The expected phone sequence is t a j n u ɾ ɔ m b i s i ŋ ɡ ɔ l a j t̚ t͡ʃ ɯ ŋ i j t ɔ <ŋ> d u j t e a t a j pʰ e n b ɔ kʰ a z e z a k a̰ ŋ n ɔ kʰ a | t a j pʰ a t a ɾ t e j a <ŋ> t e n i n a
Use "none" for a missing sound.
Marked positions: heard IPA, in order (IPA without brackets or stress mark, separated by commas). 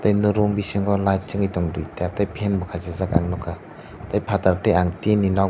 ŋ, ŋ